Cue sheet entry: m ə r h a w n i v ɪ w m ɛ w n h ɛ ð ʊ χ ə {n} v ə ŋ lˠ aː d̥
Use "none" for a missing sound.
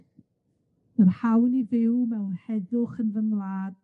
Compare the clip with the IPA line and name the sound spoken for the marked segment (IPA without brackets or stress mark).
n